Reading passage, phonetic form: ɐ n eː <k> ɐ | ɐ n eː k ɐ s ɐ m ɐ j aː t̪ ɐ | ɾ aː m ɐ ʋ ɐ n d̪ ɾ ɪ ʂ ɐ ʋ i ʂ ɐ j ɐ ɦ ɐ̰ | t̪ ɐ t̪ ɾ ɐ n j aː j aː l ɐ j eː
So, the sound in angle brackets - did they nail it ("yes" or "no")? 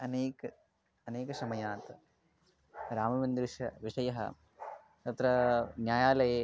yes